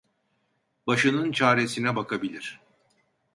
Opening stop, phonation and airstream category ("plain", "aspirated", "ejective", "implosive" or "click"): plain